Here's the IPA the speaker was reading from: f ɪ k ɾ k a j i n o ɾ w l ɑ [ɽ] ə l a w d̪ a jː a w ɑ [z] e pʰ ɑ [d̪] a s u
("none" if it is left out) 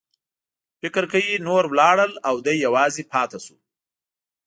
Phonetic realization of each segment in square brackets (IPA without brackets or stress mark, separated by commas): ɽ, z, t̪